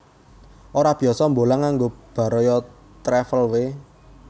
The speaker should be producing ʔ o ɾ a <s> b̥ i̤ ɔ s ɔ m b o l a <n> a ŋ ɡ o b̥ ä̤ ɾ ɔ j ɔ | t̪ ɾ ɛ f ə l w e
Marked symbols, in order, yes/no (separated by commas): no, no